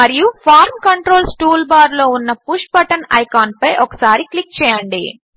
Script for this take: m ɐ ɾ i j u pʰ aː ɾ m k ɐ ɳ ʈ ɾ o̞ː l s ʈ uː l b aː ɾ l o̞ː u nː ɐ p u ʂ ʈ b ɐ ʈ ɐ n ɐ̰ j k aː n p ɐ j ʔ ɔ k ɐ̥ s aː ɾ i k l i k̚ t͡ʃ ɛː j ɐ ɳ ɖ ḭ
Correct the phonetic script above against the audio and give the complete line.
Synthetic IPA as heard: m ɐ ɾ i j u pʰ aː ɾ m k ɐ ɳ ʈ ɾ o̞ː l s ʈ uː l b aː ɾ l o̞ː u nː ɐ p u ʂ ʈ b ɐ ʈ ɐ n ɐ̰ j k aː n p ɐ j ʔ ɔ k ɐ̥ s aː ɾ i k l i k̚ t͡ʃ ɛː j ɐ ɳ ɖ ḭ